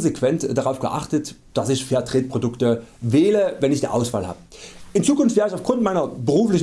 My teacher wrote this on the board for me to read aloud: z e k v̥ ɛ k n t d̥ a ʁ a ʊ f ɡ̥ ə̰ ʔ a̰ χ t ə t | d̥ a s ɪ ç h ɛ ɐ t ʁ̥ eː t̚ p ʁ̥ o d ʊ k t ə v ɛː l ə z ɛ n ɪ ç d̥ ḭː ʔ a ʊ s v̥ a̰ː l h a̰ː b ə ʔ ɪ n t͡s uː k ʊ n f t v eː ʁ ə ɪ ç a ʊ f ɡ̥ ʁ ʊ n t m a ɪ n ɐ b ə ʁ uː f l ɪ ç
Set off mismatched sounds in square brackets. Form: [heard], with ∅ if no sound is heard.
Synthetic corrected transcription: z e k v̥ ɛ [∅] n t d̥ a ʁ a ʊ f ɡ̥ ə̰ ʔ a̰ χ t ə t | d̥ a s ɪ ç [f] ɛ ɐ t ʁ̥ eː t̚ p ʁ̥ o d ʊ k t ə v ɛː l ə [v] ɛ n ɪ ç d̥ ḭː ʔ a ʊ s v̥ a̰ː l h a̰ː b ə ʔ ɪ n t͡s uː k ʊ n f t v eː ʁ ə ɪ ç a ʊ f ɡ̥ ʁ ʊ n t m a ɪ n ɐ b ə ʁ uː f l ɪ ç

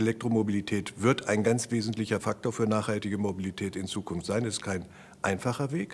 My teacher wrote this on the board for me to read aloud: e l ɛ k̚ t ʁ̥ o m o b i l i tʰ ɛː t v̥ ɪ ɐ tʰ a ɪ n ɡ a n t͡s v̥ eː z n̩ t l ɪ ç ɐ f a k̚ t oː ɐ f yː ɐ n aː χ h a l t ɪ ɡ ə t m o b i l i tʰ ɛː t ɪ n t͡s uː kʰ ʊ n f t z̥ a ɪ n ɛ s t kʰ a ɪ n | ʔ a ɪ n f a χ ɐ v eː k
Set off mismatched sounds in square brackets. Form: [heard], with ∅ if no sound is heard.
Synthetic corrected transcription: e l ɛ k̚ t ʁ̥ o m o b i l i tʰ ɛː t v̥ ɪ ɐ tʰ a ɪ n ɡ a n t͡s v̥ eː z n̩ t l ɪ ç ɐ f a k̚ t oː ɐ f yː ɐ n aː χ h a l t ɪ ɡ ə [∅] m o b i l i tʰ ɛː t ɪ n t͡s uː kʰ ʊ n f t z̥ a ɪ n ɛ s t kʰ a ɪ n | ʔ a ɪ n f a χ ɐ v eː k

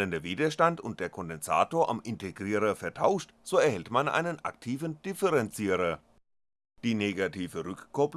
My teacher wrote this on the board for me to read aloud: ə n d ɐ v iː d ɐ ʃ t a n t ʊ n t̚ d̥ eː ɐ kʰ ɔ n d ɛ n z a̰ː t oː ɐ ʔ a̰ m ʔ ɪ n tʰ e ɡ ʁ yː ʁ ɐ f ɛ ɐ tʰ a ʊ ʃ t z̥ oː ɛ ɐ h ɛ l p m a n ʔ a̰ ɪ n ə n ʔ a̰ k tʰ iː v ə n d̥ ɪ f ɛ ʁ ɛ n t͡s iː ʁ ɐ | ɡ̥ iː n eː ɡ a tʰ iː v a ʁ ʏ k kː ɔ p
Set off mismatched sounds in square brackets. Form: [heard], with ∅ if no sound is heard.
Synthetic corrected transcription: ə n d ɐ v iː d ɐ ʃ t a n t ʊ n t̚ d̥ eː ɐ kʰ ɔ n d ɛ n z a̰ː t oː ɐ ʔ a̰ m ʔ ɪ n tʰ e ɡ ʁ [iː] ʁ ɐ f ɛ ɐ tʰ a ʊ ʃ t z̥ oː ɛ ɐ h ɛ l [t] m a n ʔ a̰ ɪ n ə n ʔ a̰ k tʰ iː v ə n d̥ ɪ f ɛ ʁ ɛ n t͡s iː ʁ ɐ | [d̥] iː n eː ɡ a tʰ iː v [ə] ʁ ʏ k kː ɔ p

